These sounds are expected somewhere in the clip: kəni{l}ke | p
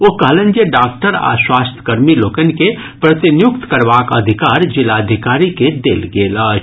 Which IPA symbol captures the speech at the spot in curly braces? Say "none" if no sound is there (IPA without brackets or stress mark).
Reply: none